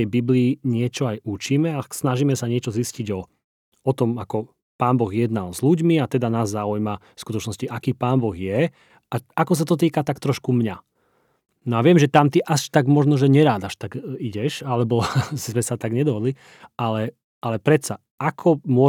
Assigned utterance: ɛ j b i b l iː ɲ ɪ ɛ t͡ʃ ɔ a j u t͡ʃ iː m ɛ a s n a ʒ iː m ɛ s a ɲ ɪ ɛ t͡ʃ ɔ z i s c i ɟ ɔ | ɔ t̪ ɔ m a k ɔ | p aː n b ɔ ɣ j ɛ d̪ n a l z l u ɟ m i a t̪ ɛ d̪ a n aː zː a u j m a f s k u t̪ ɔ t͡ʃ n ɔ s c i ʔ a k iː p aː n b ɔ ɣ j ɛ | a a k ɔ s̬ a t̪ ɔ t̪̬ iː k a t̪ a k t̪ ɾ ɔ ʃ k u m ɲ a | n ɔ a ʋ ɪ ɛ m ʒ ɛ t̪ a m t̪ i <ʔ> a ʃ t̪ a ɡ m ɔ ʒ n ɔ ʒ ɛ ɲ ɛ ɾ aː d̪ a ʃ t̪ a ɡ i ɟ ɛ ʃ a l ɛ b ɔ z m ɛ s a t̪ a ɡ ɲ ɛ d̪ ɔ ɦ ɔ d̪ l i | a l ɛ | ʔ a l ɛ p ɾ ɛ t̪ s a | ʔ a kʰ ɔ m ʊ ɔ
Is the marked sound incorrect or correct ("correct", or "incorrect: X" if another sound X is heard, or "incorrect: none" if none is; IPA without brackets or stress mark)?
correct